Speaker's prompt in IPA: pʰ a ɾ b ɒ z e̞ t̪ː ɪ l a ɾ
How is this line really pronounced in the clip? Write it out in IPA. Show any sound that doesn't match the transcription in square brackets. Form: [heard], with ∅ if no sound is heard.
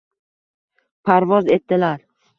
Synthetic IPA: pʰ a ɾ [v] ɒ z e̞ t̪ː ɪ l a ɾ